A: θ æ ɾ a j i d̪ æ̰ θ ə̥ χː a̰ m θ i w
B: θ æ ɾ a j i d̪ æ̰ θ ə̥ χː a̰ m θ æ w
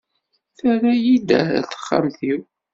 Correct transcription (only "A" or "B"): A